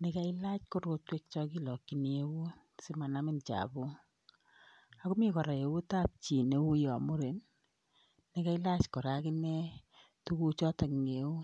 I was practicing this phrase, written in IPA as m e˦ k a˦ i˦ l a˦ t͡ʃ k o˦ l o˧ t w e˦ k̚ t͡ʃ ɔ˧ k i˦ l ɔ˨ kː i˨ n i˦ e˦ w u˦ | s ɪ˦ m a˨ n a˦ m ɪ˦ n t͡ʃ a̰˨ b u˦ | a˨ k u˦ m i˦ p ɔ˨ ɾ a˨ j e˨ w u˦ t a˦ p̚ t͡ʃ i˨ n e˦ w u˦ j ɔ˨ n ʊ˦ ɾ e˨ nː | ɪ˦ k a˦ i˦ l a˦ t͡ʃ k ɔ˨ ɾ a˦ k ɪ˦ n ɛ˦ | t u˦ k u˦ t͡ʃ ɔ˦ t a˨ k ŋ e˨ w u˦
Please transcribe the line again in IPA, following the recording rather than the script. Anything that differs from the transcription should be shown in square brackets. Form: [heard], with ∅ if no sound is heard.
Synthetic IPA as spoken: [n] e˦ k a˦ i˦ l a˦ t͡ʃ k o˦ [ɾ] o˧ t w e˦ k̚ t͡ʃ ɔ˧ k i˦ l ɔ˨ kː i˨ n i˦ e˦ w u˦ | s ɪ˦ m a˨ n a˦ m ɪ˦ n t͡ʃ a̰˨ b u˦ | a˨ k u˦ m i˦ [k] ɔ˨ ɾ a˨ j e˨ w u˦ t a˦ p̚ t͡ʃ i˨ n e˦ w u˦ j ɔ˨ [m] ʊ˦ ɾ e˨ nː | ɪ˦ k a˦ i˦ l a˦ t͡ʃ k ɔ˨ ɾ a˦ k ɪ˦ n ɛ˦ | t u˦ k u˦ t͡ʃ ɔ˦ t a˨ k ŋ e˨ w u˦